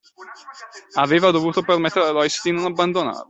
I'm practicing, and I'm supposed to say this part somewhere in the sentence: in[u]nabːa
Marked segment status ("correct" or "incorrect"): incorrect